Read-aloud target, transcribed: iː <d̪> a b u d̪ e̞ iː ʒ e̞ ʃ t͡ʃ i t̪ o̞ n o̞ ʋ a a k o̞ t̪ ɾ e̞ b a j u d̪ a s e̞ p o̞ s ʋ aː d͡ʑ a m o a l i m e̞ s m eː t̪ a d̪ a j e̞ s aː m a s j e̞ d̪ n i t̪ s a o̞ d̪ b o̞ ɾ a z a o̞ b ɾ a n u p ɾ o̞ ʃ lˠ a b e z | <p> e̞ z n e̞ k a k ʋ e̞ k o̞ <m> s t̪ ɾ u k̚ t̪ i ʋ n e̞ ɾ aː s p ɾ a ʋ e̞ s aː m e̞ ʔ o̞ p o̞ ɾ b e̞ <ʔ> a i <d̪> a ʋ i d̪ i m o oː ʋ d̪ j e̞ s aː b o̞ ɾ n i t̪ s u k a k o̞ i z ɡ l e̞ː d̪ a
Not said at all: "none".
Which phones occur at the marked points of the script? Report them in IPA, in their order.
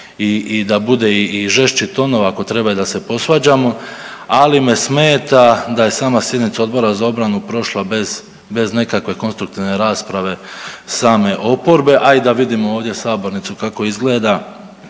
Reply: d̪, b, n, ʔ, d̪

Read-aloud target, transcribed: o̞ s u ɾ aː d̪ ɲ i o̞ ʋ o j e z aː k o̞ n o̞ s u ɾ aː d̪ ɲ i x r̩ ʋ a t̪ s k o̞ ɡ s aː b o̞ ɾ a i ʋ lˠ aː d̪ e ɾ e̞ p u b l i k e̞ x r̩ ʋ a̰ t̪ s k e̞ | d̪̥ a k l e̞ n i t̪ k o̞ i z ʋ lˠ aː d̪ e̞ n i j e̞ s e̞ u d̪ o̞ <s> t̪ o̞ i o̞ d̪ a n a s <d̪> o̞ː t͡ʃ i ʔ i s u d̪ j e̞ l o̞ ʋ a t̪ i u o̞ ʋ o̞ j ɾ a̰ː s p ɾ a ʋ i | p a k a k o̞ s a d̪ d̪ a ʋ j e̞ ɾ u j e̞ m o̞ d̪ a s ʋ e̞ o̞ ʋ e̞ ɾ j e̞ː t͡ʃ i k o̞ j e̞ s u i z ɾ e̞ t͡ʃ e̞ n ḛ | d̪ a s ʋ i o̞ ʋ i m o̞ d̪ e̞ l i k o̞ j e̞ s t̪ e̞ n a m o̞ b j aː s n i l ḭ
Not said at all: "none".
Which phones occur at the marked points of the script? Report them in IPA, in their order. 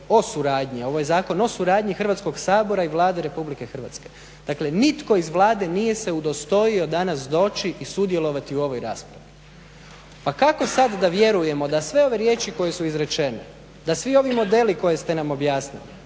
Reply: s, d̪

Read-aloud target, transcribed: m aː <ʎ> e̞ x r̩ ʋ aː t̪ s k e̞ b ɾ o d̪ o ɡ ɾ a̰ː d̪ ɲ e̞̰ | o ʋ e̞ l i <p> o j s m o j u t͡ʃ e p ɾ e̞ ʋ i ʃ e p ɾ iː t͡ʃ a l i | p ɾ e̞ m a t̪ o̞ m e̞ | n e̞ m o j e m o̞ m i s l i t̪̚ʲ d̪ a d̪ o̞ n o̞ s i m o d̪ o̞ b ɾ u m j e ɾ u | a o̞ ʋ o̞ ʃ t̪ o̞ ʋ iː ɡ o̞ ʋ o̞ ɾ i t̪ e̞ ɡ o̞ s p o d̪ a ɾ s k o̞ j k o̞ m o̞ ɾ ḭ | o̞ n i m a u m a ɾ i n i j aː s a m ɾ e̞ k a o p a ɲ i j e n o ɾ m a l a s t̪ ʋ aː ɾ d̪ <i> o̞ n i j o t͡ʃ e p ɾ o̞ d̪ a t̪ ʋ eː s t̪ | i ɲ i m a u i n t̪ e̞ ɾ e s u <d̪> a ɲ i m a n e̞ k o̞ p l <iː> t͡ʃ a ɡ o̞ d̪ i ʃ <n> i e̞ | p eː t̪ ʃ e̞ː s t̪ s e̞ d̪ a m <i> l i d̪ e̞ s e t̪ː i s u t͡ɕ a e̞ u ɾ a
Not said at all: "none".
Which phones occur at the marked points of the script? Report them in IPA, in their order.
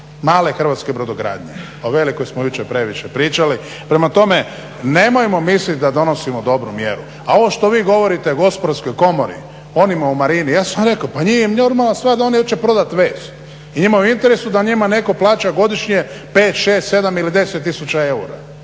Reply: l, k, a, d̪, aː, ɲ, i

